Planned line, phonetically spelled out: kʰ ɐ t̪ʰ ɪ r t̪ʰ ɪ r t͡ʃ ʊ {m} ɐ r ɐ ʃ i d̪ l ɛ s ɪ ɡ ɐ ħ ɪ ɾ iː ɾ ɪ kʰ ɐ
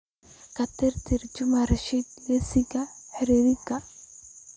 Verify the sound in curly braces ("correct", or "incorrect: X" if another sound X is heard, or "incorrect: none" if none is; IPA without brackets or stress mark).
correct